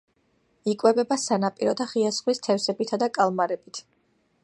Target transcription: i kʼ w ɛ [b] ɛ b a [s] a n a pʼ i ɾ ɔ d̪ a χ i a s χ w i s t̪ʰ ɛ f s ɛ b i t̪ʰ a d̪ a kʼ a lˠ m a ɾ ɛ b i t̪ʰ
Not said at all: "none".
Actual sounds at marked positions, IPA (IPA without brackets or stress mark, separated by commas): b, s